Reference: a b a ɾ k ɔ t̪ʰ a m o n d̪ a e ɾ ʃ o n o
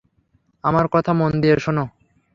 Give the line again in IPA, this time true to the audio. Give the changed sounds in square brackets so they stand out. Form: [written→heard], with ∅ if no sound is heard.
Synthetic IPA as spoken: a [b→m] a ɾ k ɔ t̪ʰ a m o n d̪ [a→i] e ɾ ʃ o n o